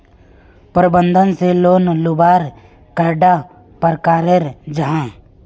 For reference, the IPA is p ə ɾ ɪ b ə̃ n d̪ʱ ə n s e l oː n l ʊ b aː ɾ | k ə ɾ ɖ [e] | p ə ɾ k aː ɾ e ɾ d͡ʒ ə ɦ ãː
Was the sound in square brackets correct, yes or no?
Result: no